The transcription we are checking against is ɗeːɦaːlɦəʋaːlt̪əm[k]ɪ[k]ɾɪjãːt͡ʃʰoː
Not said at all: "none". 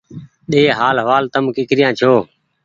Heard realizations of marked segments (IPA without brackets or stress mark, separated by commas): k, k